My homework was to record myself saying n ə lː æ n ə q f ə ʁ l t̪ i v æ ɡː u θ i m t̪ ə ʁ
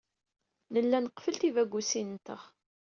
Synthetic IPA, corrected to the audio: n ə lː æ n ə q f ə l t̪ i v æ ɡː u s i n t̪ ə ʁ